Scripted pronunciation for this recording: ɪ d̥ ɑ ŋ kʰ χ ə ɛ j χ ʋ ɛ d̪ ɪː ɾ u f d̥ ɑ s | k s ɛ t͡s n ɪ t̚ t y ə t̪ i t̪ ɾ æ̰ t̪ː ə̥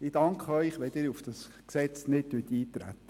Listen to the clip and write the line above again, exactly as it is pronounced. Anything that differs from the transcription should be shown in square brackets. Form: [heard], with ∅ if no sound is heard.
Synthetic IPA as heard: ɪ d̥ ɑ ŋ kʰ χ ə [œ] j χ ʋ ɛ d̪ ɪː ɾ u f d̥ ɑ s | k s ɛ t͡s n ɪ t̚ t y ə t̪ [iː] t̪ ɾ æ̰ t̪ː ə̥

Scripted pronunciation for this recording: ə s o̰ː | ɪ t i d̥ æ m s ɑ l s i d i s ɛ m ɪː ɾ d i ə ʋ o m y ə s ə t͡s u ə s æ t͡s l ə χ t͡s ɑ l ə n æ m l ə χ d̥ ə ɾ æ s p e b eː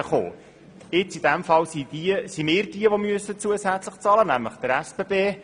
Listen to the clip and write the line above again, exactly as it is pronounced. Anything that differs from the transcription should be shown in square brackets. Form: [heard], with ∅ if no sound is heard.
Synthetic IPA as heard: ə [χ] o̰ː | ɪ [t͡s] i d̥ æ m [f] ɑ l s i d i s [i] m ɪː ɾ d i ə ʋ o m y ə s ə t͡s u ə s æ t͡s l ə χ t͡s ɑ l ə n æ m l ə χ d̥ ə ɾ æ s p e b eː

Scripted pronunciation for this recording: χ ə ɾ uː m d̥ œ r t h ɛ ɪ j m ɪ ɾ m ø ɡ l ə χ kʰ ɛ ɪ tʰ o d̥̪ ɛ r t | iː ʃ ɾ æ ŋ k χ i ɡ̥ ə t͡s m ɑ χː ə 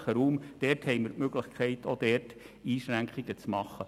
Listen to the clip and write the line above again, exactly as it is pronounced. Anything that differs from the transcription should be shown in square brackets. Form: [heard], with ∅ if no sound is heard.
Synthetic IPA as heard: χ ə ɾ uː m d̥ [ɛ] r t h ɛ ɪ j m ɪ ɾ m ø ɡ l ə χ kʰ ɛ ɪ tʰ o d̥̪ ɛ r t | iː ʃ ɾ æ ŋ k χ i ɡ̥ ə t͡s m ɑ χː ə

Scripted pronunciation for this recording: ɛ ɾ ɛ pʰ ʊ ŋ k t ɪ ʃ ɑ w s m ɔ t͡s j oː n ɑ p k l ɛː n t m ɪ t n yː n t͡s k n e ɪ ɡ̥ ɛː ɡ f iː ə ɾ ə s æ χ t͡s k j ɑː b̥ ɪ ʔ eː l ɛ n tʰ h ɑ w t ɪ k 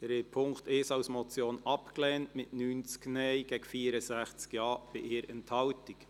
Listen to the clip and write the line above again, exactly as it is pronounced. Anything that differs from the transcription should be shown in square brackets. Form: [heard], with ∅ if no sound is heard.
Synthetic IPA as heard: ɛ ɾ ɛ pʰ ʊ ŋ k t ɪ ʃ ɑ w s m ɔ t͡s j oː n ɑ p k l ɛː n t m ɪ t n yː n t͡s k n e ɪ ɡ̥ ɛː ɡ f iː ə ɾ ə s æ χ t͡s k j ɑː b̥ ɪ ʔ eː [ɾ] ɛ n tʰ h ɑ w t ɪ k

